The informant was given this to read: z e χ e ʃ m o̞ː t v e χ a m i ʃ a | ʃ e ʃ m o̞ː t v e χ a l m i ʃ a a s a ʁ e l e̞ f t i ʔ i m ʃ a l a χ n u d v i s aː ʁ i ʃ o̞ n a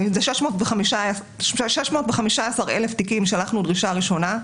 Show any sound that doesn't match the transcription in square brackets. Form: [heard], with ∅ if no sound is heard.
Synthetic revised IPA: z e [ʃ] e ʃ m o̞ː t v e χ a m i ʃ a | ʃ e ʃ m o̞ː t v e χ a [∅] m i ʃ a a s a ʁ e l e̞ f t i [k] i m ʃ a l a χ n u d [ʁ] i [ʃ] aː ʁ i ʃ o̞ n a